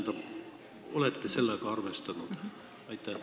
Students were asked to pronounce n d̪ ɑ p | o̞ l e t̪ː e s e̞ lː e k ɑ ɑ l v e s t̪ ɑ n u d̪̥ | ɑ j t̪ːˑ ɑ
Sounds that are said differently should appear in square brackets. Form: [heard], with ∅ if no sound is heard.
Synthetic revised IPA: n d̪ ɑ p | o̞ l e t̪ː e s e̞ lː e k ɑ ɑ [r] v e s t̪ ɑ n u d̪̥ | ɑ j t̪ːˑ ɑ